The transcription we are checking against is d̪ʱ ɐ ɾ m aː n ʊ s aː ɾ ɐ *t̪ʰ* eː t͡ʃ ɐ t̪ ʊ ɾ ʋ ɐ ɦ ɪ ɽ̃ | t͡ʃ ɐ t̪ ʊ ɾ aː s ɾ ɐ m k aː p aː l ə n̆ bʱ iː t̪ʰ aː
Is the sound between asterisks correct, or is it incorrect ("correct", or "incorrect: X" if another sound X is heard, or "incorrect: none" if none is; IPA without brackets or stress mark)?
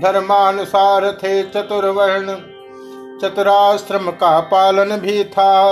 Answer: correct